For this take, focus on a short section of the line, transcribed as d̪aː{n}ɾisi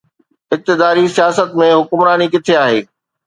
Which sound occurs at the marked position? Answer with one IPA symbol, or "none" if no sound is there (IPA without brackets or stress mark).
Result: none